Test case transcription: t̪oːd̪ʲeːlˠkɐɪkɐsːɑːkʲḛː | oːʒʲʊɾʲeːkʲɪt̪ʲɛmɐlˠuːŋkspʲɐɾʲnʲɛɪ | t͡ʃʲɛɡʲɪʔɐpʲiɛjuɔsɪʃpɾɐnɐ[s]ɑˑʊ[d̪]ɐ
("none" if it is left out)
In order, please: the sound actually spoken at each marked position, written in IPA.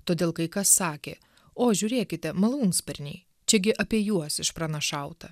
ʃ, t̪

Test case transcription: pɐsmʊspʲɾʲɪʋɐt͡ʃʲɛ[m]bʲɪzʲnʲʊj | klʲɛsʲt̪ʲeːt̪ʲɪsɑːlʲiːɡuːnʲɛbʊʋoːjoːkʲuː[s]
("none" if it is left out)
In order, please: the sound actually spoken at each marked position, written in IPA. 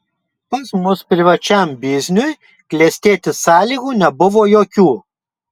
m, none

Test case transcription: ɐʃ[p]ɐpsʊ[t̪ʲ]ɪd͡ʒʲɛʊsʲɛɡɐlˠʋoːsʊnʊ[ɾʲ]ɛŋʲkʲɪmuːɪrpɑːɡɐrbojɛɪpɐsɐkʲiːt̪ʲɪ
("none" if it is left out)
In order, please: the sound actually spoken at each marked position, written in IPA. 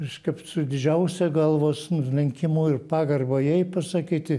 k, d̪ʲ, lʲ

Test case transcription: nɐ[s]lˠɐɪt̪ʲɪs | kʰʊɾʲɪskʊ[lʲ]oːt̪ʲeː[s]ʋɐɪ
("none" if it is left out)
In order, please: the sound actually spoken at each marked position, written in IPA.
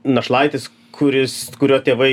ʃ, ɾʲ, none

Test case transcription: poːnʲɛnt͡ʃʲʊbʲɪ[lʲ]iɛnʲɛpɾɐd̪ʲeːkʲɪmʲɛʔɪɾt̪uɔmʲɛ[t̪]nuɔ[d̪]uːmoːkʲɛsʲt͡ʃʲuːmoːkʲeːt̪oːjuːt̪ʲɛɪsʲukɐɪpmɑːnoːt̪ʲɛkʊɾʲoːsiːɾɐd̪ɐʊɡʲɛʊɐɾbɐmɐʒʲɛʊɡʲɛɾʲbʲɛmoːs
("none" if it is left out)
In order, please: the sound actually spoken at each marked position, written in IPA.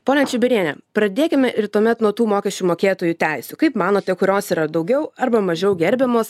ɾʲ, t̪, t̪

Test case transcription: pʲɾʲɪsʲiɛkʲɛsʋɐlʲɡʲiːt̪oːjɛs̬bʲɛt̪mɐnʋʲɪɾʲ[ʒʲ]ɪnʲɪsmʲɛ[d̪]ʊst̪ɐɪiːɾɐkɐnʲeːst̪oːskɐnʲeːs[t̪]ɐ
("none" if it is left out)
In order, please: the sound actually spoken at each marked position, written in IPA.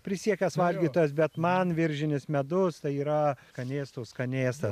ʒʲ, d̪, t̪

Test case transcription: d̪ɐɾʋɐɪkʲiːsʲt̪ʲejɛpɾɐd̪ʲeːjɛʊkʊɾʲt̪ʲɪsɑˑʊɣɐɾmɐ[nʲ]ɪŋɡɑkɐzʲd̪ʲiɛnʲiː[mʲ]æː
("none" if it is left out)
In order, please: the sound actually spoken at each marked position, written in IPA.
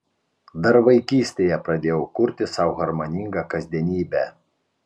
nʲ, bʲ

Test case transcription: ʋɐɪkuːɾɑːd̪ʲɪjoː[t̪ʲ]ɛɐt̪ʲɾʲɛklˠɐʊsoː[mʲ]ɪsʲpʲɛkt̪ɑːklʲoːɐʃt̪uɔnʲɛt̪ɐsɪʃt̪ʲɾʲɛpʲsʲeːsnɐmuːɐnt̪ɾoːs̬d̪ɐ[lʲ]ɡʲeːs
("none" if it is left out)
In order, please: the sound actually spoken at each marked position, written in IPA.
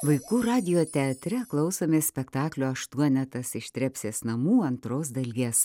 t̪ʲ, mʲ, lʲ

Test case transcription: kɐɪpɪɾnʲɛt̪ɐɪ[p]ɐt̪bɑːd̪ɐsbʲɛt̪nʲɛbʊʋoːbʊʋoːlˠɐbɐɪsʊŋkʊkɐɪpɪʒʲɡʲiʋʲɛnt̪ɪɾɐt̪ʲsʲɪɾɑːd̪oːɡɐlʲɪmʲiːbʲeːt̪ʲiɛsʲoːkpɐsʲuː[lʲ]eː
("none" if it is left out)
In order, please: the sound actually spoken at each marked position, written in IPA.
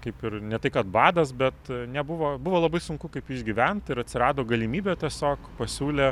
k, lʲ

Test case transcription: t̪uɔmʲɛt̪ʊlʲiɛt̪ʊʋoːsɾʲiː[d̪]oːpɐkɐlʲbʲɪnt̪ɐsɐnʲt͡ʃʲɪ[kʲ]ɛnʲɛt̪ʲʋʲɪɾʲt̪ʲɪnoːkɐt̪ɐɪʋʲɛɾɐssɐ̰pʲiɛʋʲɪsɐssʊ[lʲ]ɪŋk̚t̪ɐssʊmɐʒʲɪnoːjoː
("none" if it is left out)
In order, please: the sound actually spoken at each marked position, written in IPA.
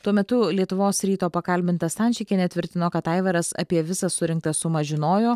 t̪, kʲ, ɾʲ

